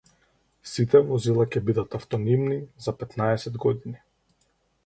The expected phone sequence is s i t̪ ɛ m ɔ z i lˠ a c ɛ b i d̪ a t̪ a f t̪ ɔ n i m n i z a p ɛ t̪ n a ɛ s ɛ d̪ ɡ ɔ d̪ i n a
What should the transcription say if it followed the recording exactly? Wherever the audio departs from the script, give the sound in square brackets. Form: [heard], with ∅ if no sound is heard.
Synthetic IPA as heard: s i t̪ ɛ m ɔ z i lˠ a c ɛ b i d̪ a t̪ a f t̪ ɔ n i m n i z a p ɛ t̪ n a ɛ s ɛ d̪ ɡ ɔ d̪ i n [i]